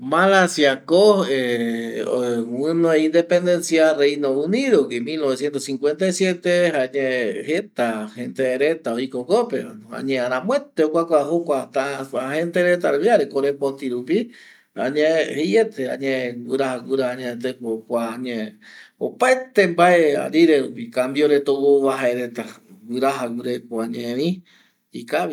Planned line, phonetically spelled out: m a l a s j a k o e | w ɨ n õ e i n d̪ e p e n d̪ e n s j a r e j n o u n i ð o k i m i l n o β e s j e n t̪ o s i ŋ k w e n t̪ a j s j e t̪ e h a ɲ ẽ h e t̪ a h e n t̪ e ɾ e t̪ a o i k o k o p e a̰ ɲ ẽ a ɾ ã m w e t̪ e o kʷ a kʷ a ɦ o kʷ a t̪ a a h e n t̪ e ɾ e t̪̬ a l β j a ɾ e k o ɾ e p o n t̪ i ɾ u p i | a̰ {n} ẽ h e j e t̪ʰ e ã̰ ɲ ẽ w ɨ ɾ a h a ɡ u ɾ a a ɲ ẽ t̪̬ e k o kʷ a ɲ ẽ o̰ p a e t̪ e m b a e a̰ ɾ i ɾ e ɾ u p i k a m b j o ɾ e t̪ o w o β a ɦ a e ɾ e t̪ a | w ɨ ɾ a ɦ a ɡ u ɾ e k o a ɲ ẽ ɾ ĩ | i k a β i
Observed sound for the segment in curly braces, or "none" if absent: ɲ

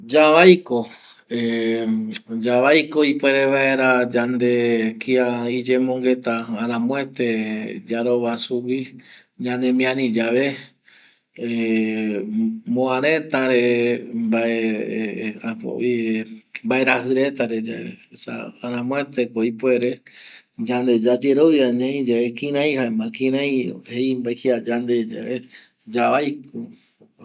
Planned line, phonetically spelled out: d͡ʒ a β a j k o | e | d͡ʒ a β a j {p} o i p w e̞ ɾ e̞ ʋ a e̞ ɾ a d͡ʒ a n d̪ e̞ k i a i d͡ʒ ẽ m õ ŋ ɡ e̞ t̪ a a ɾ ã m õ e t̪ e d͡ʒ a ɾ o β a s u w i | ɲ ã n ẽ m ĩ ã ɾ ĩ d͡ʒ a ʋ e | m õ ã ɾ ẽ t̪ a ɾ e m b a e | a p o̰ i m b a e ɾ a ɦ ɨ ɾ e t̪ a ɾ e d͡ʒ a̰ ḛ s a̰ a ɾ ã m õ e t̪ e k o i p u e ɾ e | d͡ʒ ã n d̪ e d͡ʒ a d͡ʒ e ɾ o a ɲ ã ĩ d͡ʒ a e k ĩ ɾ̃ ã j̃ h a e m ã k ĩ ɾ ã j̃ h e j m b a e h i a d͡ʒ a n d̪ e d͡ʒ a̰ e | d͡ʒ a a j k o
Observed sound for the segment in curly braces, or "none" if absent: k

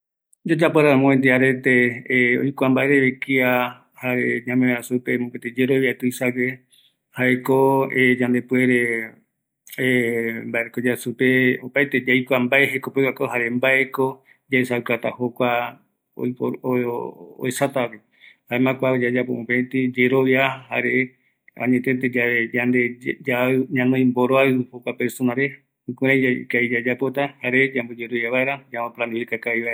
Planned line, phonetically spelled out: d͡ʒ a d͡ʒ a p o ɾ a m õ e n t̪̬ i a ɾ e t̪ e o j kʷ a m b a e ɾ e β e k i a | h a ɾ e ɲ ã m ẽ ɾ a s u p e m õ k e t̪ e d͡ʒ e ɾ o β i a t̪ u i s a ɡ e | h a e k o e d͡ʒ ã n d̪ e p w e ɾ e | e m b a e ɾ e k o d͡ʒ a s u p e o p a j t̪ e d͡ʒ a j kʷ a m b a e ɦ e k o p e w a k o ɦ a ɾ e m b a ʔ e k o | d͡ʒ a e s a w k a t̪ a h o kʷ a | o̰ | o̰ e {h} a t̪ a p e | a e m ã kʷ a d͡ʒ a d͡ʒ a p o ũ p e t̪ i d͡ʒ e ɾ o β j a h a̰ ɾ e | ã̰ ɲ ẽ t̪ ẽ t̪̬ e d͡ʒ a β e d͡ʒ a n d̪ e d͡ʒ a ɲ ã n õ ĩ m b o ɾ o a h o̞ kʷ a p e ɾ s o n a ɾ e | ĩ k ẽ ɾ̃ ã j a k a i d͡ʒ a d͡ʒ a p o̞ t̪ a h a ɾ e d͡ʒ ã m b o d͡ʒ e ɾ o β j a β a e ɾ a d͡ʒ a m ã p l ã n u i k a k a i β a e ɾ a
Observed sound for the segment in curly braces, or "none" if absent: s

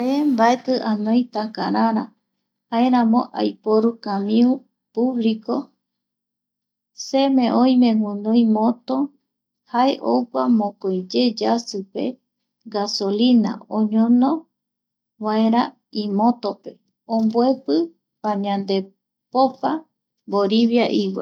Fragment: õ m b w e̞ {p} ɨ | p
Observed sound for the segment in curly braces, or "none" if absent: p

